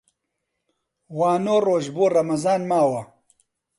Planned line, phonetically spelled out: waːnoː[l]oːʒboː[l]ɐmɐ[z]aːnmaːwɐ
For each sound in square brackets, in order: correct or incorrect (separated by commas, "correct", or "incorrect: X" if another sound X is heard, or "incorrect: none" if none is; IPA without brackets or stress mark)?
incorrect: r, incorrect: r, correct